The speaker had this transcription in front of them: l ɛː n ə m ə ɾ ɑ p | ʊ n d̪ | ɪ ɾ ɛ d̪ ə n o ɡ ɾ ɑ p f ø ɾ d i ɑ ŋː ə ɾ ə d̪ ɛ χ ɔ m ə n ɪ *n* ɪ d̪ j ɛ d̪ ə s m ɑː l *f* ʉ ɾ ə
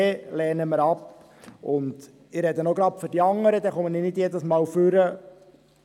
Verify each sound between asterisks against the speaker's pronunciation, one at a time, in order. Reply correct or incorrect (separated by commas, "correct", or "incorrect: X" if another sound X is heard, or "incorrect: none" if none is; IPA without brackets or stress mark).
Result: correct, correct